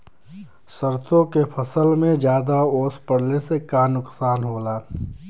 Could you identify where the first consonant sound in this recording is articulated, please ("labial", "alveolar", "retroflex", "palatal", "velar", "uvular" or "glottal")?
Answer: alveolar